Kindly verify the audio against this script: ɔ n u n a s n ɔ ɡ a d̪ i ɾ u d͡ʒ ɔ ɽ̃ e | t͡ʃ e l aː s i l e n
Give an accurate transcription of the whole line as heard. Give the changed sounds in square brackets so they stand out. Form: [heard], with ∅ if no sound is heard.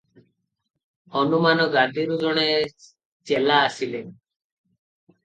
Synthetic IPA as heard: ɔ n u [m] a [∅] n ɔ ɡ a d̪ i ɾ u d͡ʒ ɔ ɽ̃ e | t͡ʃ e l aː s i l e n